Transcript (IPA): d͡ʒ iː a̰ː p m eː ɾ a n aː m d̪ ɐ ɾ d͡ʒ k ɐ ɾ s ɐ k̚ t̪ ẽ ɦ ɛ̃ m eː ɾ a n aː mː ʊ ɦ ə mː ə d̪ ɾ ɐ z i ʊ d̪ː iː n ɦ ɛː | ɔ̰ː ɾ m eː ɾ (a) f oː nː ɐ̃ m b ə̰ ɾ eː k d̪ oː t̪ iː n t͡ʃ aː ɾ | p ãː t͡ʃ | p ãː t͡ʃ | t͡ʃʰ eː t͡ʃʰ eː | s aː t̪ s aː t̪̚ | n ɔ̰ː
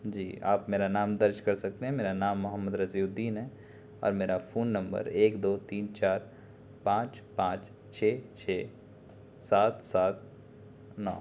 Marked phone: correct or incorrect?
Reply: correct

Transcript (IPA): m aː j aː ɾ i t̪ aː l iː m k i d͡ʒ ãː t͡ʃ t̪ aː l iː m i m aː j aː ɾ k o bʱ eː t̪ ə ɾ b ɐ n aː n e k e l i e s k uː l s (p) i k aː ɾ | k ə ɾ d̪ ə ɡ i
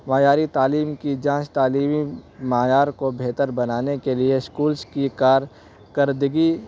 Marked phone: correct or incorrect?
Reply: incorrect: k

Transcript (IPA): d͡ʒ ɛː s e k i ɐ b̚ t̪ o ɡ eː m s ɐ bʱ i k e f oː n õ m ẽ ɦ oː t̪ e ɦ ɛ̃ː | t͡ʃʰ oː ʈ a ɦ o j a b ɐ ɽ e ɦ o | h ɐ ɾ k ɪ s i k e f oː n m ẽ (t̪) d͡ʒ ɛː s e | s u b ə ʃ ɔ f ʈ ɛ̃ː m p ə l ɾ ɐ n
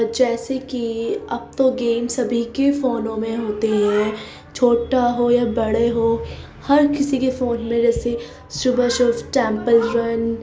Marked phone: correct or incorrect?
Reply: incorrect: none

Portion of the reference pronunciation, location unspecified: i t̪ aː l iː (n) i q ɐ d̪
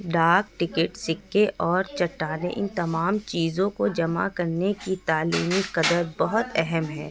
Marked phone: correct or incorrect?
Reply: incorrect: m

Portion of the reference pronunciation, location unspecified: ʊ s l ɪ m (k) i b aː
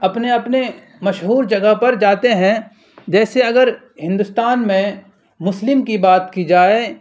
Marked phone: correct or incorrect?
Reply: correct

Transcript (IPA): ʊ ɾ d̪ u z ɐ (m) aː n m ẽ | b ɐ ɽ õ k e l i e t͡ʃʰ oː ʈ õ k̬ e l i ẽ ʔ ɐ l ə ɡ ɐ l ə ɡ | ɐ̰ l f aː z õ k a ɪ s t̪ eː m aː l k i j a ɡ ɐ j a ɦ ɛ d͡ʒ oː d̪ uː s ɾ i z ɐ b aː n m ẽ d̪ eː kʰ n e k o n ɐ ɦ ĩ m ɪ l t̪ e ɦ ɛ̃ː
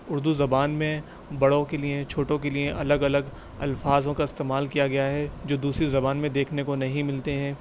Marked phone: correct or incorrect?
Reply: incorrect: b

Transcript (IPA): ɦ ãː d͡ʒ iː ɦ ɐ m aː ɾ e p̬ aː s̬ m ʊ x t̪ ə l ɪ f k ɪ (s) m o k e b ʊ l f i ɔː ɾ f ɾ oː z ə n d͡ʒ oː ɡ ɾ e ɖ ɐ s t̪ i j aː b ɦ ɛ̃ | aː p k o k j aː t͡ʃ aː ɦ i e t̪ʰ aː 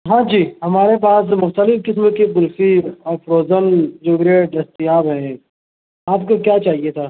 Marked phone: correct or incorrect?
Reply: correct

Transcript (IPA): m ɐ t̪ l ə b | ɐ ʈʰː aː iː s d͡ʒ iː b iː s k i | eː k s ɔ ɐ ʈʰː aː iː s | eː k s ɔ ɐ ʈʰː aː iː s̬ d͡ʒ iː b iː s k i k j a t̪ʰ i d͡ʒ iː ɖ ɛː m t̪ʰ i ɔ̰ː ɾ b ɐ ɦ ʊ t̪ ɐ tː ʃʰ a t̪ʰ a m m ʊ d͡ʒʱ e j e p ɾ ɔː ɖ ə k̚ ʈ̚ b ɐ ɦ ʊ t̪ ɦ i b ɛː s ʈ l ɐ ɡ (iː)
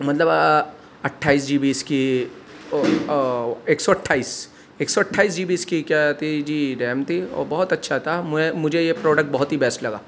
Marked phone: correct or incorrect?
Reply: incorrect: aː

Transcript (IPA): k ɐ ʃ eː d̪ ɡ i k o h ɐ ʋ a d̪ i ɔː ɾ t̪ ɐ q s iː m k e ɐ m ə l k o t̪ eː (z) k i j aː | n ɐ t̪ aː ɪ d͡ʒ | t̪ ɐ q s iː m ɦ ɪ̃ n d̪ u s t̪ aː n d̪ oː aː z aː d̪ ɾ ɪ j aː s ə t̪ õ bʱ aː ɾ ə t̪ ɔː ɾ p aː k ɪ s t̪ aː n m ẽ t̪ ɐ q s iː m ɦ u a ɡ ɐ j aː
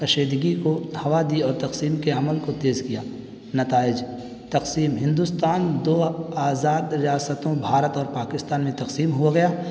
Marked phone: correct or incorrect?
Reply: correct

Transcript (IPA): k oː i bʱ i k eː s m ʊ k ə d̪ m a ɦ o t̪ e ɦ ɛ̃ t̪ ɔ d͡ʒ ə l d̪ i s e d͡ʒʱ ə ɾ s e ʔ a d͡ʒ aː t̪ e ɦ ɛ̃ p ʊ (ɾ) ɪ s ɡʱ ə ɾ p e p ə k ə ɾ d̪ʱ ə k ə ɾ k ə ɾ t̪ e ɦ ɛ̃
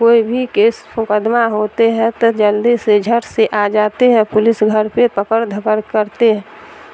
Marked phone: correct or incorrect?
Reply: incorrect: l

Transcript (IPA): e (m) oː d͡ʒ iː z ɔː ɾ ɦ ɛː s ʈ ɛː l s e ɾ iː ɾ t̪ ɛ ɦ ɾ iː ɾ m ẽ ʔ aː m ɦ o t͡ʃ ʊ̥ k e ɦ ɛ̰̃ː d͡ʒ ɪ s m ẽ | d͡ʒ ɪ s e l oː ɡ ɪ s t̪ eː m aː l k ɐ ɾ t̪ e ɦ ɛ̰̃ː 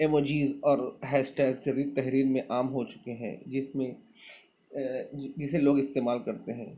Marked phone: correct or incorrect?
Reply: correct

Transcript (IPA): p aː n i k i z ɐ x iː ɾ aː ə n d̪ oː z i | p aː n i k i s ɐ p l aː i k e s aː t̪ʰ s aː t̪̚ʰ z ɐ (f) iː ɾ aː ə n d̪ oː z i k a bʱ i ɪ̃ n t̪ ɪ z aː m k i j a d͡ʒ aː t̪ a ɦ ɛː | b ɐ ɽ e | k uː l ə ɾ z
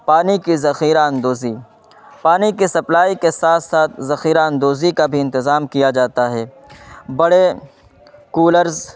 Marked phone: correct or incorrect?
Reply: incorrect: x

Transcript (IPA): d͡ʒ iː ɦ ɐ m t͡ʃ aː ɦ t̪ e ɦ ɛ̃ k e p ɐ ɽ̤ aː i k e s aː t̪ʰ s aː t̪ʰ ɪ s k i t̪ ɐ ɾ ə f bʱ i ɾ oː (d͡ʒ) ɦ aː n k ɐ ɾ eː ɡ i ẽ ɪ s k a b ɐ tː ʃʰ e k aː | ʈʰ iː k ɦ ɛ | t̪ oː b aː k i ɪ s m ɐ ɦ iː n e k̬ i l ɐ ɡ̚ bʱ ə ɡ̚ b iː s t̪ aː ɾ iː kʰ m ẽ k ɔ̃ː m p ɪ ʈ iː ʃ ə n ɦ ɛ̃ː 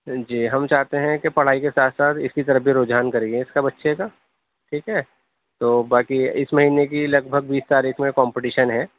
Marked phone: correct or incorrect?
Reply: correct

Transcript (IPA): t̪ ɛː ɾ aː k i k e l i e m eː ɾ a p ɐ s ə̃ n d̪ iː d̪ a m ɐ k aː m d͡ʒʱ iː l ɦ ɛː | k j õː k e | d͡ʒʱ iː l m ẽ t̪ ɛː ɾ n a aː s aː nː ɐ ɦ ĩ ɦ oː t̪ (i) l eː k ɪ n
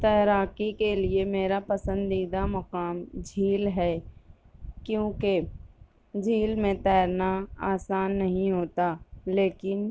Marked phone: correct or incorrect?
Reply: incorrect: a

